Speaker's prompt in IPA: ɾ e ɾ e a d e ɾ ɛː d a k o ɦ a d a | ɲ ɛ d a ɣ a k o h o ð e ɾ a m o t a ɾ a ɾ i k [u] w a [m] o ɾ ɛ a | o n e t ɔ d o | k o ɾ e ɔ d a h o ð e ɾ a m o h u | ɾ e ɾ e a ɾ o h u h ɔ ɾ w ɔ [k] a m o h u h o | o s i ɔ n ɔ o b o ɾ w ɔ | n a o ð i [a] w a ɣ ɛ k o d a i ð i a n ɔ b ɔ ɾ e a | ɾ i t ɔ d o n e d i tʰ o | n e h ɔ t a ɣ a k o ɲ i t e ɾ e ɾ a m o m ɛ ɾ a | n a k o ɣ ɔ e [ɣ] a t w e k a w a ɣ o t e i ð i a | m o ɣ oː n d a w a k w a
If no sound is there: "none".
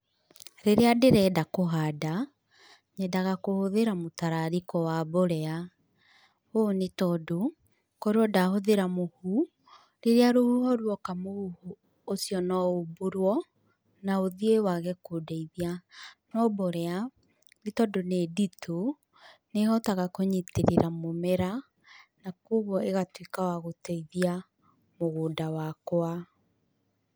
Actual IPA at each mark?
ɔ, b, k, e, ɣ

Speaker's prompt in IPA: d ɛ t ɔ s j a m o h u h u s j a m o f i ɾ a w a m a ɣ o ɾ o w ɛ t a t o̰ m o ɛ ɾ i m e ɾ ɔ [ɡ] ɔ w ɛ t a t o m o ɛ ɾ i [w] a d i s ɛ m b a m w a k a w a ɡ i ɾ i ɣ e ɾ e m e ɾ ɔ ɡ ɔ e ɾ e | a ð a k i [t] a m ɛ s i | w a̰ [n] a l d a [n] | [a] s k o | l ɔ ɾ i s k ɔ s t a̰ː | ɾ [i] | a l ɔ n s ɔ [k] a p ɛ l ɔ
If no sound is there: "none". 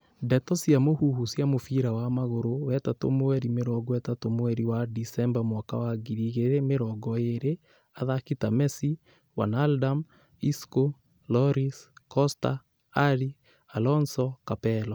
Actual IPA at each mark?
ɡ, w, t, n, m, i, i, k

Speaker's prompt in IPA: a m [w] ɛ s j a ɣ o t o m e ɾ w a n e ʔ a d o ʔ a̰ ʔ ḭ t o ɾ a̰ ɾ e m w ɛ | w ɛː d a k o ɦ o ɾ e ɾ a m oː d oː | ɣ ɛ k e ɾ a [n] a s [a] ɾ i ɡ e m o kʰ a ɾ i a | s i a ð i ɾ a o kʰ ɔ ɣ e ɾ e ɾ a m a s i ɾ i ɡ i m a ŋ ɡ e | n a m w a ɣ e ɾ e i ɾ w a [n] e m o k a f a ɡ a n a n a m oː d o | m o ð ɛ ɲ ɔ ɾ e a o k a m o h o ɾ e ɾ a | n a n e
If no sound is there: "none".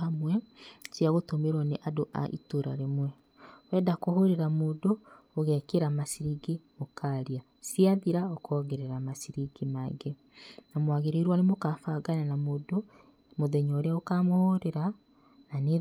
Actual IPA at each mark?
w, m, i, n

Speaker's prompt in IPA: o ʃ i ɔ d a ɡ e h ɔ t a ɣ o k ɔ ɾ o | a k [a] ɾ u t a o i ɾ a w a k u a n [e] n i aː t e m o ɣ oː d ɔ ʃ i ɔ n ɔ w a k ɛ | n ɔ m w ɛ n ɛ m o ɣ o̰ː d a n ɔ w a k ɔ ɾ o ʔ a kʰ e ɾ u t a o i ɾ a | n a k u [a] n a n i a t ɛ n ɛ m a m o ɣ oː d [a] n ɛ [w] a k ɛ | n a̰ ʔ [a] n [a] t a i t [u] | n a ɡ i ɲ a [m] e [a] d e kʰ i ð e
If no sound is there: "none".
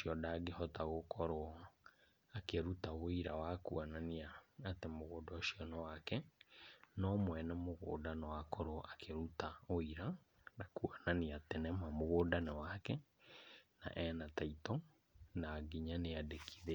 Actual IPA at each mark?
e, a, a, a, w, ɛ, a, ɔ, n, a

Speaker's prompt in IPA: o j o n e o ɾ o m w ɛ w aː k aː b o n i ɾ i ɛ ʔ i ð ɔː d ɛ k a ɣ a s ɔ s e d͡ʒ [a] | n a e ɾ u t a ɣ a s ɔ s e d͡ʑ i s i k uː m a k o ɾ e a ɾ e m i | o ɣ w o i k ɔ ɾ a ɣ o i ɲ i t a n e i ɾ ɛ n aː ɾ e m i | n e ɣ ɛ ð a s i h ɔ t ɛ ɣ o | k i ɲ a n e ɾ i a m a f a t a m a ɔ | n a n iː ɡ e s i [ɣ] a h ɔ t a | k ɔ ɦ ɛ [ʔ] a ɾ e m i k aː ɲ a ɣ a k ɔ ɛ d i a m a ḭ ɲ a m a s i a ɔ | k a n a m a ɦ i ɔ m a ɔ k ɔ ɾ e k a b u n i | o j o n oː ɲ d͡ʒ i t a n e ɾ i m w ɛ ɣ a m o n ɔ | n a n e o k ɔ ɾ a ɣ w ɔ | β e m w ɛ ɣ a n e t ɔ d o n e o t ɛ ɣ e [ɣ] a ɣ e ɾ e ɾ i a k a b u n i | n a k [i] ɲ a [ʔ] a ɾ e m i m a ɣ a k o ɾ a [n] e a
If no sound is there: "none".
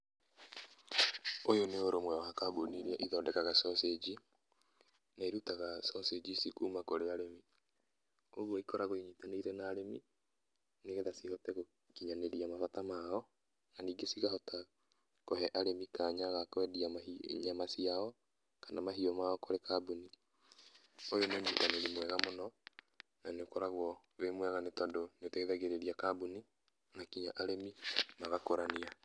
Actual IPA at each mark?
i, ɣ, ʔ, ð, i, ʔ, n

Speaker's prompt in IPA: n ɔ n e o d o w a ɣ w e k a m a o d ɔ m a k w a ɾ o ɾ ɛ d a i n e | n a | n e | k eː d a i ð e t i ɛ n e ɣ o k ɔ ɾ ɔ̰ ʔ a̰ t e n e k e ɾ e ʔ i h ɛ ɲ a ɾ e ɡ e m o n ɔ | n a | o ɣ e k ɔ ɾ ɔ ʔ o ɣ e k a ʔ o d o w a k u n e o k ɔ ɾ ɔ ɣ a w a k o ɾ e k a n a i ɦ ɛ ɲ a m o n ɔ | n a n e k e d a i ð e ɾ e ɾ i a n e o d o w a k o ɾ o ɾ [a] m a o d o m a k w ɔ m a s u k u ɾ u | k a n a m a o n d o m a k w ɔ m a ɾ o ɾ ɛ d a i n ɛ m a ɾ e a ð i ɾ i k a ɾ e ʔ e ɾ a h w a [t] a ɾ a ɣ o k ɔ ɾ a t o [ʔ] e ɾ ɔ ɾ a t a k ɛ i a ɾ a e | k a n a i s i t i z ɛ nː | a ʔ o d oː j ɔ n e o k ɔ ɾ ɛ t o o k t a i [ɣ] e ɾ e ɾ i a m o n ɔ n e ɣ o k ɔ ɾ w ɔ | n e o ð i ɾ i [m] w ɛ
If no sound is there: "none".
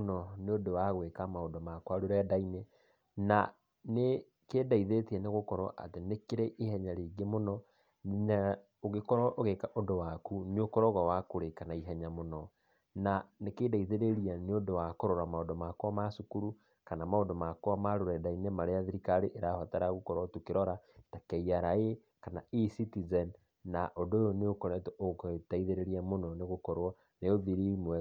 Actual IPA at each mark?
a, t, k, ð, m

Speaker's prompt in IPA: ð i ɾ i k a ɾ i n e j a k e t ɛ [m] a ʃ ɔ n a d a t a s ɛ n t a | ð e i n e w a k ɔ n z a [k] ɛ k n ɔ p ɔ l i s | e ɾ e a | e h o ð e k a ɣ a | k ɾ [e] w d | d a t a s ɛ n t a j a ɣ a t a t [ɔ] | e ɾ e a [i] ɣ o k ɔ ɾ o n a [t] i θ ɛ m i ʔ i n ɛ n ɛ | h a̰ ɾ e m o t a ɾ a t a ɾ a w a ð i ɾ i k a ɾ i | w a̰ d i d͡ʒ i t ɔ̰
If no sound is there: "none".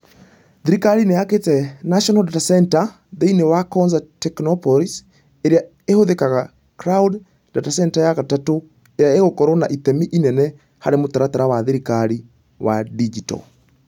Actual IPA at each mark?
n, t, a, o, e, ʔ

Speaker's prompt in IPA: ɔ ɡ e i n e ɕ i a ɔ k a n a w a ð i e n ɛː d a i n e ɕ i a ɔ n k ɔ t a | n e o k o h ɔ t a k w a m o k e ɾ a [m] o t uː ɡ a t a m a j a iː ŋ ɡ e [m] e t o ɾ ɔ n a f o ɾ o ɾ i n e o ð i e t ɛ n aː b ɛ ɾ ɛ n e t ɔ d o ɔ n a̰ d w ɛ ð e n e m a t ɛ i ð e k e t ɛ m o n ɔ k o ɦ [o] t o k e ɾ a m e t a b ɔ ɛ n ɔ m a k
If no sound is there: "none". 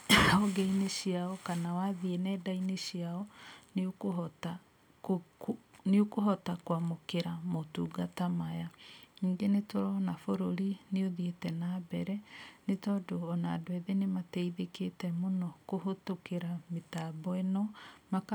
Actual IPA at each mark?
m, n, o

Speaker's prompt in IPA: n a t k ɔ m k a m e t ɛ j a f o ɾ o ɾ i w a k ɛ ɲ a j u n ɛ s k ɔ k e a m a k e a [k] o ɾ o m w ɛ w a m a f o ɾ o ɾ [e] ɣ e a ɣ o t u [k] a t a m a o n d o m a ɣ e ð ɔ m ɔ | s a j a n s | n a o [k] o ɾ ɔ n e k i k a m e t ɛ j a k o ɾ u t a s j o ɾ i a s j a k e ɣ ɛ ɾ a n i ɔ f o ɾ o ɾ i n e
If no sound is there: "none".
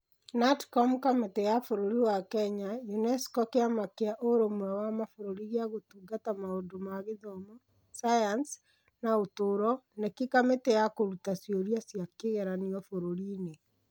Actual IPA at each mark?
ʔ, i, ɡ, t

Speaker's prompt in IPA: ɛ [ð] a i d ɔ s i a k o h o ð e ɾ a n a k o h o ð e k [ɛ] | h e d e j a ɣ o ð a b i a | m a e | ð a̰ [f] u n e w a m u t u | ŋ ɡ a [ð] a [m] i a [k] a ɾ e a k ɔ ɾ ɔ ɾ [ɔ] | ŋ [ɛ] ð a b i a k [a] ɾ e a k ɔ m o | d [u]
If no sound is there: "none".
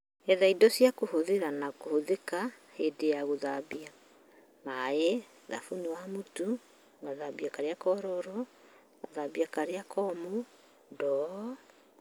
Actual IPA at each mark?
ð, a, f, ð, b, k, ɔ, a, a, ɔ

